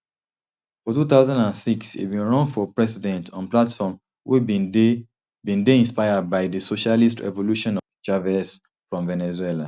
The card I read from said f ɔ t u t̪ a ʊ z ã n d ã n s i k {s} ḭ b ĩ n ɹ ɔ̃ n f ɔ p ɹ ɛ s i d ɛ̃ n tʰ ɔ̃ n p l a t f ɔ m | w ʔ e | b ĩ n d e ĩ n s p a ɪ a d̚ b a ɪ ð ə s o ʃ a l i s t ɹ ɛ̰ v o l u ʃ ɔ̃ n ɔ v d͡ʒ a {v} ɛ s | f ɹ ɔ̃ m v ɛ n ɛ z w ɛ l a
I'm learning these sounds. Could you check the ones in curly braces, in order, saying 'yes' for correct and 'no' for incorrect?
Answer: yes, yes

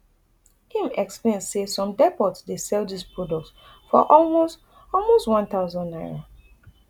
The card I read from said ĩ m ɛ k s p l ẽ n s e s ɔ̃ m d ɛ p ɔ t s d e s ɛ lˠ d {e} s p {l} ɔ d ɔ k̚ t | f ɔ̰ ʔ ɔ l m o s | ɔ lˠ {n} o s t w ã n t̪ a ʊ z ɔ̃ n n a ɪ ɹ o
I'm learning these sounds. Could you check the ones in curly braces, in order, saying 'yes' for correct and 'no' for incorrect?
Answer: no, no, no

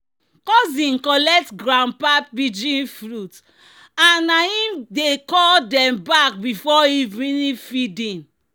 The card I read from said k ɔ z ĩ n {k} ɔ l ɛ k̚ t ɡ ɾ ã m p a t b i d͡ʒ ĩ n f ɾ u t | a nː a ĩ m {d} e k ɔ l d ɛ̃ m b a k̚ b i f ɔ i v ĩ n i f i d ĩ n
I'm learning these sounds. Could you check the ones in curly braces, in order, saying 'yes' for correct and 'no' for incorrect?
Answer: yes, yes

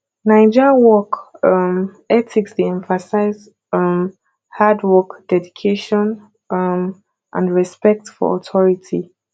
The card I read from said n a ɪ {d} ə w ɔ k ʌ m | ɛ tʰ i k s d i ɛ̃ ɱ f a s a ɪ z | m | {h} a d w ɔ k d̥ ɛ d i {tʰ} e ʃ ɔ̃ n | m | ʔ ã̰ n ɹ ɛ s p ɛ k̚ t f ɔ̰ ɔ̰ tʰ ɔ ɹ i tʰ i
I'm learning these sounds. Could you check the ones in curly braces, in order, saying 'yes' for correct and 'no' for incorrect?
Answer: no, yes, no

